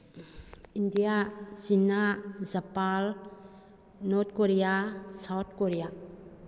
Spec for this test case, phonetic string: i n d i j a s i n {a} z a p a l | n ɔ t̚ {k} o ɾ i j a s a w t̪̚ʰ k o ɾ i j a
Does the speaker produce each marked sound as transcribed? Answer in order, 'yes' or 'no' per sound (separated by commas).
yes, yes